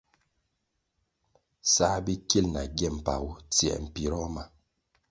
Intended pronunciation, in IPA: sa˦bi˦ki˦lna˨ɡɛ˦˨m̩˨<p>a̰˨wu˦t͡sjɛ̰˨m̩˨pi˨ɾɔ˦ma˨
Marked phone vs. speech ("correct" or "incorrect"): correct